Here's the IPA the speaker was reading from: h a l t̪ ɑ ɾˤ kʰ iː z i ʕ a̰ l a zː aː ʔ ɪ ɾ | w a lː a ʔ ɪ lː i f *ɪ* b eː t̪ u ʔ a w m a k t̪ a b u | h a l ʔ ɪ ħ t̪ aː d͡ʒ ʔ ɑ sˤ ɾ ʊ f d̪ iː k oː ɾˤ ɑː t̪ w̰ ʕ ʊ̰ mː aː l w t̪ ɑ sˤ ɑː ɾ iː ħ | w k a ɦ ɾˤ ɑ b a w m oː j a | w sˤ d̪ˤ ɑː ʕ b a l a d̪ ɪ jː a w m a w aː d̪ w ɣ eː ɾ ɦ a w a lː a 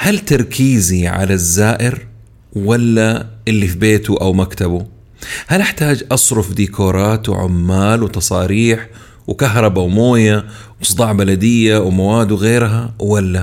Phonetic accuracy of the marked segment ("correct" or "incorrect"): incorrect